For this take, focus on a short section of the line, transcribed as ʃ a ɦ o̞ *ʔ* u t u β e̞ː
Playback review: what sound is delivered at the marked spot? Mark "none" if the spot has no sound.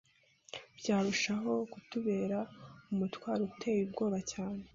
k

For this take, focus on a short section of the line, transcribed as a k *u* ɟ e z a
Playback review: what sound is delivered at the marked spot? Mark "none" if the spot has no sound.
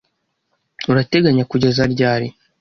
u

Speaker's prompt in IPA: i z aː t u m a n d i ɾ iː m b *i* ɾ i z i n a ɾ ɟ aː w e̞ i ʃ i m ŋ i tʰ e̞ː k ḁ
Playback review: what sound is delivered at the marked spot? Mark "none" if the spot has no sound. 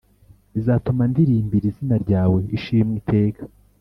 i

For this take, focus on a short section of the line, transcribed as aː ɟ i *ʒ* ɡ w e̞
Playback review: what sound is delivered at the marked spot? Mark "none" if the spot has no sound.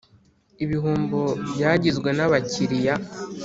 z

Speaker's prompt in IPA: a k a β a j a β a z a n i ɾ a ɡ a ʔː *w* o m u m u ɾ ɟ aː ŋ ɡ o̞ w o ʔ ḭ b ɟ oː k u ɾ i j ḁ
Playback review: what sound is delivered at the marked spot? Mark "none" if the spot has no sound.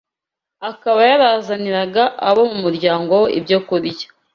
β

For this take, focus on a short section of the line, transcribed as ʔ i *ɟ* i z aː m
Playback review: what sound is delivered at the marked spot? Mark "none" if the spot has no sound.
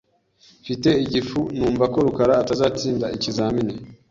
c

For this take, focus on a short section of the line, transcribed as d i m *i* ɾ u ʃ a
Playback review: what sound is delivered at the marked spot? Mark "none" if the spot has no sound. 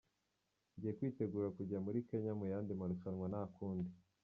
a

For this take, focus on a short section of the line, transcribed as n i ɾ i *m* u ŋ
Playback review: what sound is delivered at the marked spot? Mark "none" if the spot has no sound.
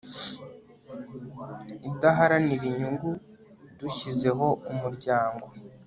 ɲ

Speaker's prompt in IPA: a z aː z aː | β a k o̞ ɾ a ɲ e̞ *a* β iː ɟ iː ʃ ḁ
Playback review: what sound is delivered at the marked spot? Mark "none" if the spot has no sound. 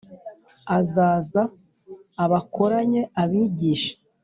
a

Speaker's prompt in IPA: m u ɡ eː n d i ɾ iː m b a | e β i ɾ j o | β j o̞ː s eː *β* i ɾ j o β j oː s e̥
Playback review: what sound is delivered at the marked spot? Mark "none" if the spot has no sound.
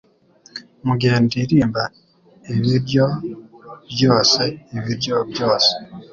β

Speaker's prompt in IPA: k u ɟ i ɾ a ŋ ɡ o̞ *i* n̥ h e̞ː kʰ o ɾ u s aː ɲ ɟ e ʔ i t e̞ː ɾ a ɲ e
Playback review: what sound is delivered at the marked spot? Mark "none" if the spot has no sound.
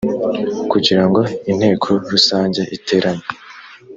i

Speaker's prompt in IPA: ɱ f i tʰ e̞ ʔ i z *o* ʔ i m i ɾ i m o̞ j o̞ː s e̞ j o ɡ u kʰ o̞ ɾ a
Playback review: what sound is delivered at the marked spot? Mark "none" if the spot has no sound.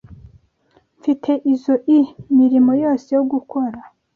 o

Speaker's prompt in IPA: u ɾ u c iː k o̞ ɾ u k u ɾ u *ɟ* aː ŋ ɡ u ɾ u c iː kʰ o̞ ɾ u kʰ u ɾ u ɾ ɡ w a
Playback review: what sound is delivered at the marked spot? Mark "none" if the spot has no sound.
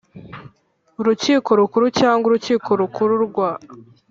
c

